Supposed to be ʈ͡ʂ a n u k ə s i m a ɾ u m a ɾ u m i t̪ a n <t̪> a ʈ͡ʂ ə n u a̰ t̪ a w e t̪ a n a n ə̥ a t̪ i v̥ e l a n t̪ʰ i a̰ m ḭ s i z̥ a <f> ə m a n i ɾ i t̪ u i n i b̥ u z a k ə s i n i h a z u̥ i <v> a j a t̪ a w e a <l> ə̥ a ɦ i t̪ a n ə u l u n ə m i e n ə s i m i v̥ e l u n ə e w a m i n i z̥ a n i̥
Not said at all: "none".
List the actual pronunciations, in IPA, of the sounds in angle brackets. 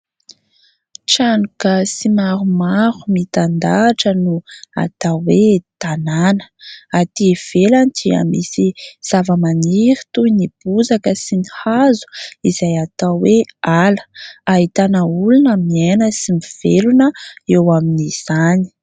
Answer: d̪, v, z, l

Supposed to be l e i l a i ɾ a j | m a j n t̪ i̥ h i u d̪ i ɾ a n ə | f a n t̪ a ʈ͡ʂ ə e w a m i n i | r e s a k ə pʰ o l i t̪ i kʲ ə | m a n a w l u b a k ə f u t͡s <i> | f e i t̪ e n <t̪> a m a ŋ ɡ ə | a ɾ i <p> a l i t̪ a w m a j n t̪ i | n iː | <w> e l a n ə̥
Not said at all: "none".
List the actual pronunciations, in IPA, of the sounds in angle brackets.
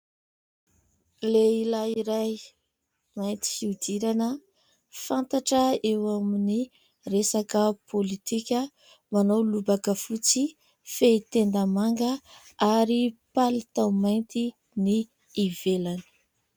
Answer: i, d̪, p, v

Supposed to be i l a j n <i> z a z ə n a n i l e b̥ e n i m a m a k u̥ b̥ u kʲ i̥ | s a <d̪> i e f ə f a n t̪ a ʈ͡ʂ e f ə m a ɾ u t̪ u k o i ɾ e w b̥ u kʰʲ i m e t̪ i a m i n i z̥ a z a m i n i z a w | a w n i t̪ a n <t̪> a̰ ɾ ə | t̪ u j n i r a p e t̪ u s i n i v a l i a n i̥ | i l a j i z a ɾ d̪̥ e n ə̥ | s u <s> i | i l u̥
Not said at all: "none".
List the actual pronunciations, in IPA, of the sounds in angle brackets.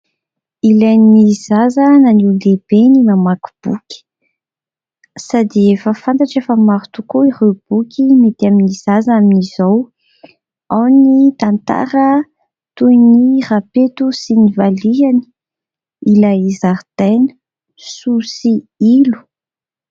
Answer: i, d̪, t̪, s

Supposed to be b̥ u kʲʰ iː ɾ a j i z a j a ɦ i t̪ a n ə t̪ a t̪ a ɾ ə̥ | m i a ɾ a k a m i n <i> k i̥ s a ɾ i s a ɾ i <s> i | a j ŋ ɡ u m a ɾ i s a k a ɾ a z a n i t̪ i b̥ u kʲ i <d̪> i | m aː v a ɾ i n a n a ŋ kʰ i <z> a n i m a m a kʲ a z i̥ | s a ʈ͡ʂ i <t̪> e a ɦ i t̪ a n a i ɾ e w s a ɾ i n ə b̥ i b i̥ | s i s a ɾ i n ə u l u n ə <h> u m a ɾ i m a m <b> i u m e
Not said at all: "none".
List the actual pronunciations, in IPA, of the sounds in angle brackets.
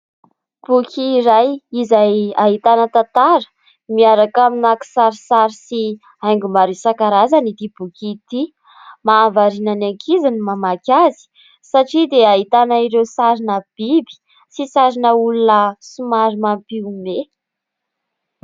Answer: a, s, t̪, z, d̪, s, p

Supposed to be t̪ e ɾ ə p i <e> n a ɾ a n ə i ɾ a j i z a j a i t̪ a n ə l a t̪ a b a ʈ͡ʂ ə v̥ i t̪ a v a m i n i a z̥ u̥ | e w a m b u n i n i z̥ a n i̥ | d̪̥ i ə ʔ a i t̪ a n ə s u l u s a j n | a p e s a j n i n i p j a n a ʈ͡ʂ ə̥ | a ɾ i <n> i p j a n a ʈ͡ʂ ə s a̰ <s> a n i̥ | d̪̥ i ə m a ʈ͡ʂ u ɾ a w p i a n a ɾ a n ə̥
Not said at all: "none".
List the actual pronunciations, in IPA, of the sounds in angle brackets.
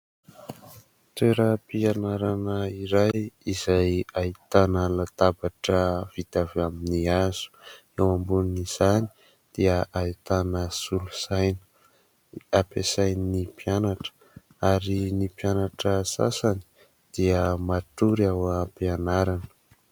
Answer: a, n, s

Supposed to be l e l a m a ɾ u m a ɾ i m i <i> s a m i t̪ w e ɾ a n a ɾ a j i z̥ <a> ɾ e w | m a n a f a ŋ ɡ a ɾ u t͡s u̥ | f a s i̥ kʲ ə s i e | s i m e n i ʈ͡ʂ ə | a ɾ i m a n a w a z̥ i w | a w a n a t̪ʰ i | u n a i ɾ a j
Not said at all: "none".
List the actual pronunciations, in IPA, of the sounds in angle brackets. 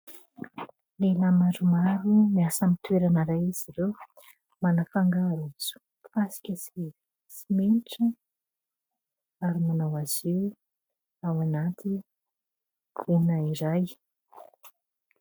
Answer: a, i

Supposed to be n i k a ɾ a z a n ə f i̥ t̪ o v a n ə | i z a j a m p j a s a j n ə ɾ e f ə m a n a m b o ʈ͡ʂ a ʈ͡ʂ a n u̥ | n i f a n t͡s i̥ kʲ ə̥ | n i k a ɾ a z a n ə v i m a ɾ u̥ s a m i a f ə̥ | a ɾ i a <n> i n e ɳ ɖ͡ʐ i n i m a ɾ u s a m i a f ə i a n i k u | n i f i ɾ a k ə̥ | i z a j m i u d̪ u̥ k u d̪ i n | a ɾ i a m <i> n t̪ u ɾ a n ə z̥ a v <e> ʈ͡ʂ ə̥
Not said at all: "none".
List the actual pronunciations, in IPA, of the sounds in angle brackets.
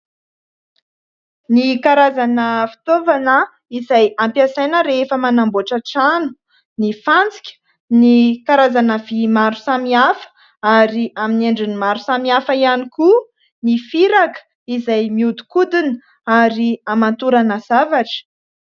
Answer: m, a, a

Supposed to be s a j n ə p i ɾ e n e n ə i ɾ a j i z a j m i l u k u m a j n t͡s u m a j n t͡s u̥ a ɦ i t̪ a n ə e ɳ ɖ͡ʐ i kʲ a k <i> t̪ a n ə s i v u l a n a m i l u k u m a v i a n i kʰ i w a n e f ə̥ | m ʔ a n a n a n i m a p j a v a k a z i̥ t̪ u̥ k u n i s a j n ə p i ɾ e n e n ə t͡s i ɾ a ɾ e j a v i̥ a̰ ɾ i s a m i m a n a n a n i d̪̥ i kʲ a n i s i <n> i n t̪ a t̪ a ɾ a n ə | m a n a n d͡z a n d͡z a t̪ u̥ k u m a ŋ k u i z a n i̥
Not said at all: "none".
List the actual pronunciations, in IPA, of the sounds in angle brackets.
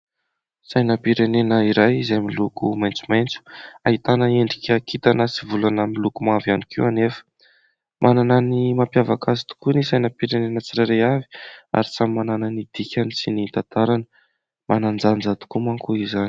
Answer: i, n

